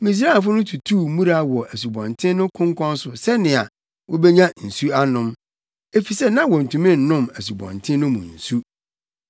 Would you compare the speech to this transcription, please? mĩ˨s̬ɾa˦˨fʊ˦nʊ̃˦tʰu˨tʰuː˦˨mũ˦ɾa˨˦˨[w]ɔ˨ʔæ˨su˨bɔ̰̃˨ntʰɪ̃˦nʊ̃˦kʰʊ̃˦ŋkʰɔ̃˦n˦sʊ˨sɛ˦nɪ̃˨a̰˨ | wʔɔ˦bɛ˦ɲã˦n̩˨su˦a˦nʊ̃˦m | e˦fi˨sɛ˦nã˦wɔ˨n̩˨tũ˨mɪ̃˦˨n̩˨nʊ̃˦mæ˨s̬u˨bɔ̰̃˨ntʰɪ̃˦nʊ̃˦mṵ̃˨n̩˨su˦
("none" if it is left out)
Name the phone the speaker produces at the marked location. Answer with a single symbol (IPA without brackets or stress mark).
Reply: w